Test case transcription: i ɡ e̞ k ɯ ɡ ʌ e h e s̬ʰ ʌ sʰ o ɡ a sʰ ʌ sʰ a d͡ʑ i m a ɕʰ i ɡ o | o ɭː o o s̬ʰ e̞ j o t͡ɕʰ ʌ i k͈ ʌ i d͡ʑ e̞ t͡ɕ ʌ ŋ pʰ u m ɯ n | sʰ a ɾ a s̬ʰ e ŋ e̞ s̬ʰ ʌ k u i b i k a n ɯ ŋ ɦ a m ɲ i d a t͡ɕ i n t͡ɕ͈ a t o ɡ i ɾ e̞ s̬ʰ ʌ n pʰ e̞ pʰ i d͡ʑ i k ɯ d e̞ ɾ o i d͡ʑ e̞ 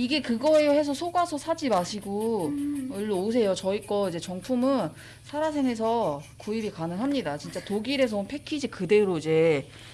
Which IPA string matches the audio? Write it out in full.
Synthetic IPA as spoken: i ɡ e̞ k ɯ ɡ ʌ e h e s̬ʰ ʌ sʰ o ɡ a sʰ ʌ sʰ a d͡ʑ i m a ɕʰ i ɡ o | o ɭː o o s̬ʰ e̞ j o t͡ɕ ʌ i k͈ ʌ i d͡ʑ e̞ t͡ɕ ʌ ŋ pʰ u m ɯ n | sʰ a ɾ a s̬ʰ e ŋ e̞ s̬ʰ ʌ k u i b i k a n ɯ ŋ ɦ a m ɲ i d a t͡ɕ i n t͡ɕ͈ a t o ɡ i ɾ e̞ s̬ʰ ʌ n pʰ e̞ kʰ i d͡ʑ i k ɯ d e̞ ɾ o i d͡ʑ e̞